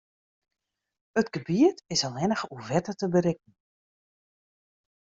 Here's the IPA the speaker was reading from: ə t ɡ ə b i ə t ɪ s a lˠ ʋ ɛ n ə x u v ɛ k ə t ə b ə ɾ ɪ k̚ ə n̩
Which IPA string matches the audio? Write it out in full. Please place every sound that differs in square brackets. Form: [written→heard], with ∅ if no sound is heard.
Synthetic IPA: ə t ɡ ə b i ə t ɪ s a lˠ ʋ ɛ n ə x u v ɛ [k→t] ə t ə b ə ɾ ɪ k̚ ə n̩